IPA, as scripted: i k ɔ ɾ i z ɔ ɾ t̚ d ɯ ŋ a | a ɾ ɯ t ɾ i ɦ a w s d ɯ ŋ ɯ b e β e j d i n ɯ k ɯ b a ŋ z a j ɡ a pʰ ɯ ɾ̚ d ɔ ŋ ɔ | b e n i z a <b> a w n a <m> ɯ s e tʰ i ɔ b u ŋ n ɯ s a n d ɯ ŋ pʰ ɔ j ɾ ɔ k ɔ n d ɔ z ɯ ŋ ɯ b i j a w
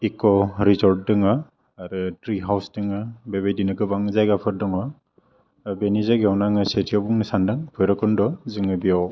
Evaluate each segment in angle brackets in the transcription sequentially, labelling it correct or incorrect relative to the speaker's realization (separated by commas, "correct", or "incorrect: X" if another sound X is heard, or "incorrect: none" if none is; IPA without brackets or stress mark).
incorrect: ɡ, incorrect: ŋ